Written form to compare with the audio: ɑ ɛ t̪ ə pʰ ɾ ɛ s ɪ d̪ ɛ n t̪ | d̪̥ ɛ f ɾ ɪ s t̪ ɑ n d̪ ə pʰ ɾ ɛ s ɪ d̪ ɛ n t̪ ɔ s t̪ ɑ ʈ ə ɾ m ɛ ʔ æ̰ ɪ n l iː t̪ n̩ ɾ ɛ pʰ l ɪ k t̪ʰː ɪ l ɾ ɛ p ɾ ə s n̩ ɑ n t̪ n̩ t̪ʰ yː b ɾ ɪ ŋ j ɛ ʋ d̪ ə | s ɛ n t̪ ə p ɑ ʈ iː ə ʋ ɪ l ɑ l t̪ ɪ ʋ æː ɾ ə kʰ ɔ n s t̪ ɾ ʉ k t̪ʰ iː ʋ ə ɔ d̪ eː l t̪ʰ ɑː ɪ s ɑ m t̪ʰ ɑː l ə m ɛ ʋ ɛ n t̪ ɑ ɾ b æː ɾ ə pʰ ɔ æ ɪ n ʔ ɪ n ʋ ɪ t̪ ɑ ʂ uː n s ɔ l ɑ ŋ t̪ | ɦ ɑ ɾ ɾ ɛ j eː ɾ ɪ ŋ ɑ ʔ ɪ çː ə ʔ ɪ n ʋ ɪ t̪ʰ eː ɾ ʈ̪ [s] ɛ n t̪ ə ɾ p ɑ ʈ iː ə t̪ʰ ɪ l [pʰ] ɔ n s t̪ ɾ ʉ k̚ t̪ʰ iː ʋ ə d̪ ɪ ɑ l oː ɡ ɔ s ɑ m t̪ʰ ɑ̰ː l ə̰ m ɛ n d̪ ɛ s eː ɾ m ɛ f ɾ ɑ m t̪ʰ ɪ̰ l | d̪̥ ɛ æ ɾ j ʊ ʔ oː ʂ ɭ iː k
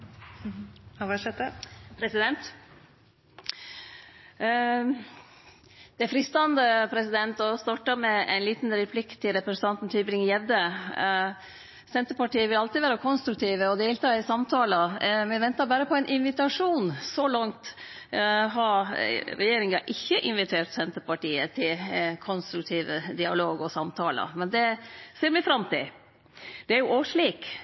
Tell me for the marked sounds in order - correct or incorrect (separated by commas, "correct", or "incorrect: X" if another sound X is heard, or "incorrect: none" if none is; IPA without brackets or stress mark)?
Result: correct, incorrect: kʰ